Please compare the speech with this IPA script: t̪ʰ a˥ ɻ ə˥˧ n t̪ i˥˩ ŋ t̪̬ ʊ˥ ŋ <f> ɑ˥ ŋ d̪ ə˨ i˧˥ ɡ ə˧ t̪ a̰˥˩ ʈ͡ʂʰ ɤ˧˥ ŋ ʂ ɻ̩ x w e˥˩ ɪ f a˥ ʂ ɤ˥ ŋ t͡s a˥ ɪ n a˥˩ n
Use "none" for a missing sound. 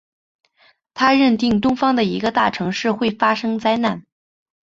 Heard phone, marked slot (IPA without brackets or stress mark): f